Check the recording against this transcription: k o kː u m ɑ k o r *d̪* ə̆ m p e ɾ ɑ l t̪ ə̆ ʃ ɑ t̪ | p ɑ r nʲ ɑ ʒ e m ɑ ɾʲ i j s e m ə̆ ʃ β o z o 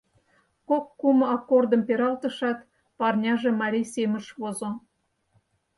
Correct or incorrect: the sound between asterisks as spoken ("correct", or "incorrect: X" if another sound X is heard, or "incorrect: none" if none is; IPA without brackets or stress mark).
correct